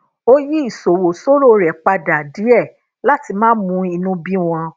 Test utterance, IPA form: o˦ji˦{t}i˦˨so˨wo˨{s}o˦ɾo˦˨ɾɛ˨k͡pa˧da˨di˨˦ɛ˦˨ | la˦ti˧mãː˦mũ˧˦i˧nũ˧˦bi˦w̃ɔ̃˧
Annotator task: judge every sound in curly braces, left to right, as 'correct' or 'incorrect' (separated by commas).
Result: incorrect, correct